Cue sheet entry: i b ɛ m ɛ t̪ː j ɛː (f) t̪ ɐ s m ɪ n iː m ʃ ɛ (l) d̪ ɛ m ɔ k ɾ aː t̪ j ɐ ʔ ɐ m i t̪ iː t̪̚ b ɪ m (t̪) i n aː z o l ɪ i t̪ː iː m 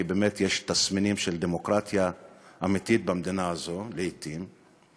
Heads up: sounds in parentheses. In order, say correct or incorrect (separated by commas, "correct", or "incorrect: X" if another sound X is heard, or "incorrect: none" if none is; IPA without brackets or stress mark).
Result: incorrect: ʃ, correct, incorrect: d̪